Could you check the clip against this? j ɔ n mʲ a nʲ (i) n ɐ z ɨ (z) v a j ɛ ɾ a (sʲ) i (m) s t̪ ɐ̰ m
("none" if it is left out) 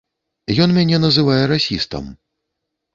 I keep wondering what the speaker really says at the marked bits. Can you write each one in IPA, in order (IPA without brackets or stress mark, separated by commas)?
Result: ɛ, none, sʲ, none